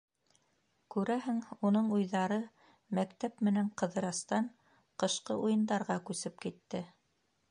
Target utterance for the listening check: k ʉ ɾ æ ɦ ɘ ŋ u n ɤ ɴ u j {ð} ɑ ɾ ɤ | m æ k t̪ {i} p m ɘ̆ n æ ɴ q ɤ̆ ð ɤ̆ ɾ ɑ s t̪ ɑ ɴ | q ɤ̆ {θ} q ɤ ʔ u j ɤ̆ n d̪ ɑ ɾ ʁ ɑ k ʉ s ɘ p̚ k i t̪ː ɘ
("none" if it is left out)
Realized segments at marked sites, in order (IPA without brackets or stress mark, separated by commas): ð, æ, ʃ